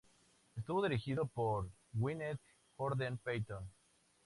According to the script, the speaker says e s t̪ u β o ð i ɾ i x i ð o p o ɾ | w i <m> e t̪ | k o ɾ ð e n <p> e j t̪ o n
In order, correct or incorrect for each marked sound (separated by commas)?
incorrect, correct